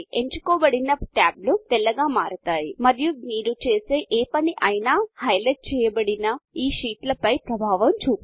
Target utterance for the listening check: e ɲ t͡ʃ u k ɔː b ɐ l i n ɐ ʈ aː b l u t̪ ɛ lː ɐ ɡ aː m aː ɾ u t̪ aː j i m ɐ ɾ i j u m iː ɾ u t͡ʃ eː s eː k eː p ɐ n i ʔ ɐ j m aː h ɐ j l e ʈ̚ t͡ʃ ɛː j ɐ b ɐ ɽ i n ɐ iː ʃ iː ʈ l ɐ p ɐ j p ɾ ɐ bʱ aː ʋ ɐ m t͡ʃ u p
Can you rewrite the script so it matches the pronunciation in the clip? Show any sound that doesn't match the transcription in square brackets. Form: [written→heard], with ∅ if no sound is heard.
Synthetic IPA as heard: e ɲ t͡ʃ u k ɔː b ɐ [l→ɽ] i n ɐ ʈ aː b l u t̪ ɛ lː ɐ ɡ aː m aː ɾ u t̪ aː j i m ɐ ɾ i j u m iː ɾ u t͡ʃ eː s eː [k→ʔ] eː p ɐ n i ʔ ɐ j [m→n] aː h ɐ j l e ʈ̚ t͡ʃ ɛː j ɐ b ɐ ɽ i n ɐ iː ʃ iː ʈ l ɐ p ɐ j p ɾ ɐ bʱ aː ʋ ɐ m t͡ʃ [u→uː] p